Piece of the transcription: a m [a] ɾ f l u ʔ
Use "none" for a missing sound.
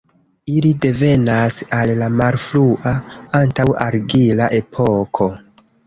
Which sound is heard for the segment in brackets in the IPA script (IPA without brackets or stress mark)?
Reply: a